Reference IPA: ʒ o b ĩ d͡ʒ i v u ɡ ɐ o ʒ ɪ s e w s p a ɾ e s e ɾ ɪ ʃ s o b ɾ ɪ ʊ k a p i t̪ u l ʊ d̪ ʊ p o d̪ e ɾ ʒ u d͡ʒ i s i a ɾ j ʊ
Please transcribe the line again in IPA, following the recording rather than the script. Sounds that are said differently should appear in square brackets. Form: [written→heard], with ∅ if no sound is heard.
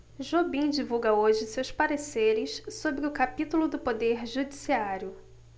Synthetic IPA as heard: ʒ o b ĩ d͡ʒ i v u ɡ ɐ o ʒ ɪ s e w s p a ɾ e s e ɾ ɪ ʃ s o b ɾ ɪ ʊ k a p i t̪ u l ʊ d̪ ʊ p o d̪ e ɾ ʒ u d͡ʒ i s i a ɾ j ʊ